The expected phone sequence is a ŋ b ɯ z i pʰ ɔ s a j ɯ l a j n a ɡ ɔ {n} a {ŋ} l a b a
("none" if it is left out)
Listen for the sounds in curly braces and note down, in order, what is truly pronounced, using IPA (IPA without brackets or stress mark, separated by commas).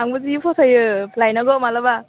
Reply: m, none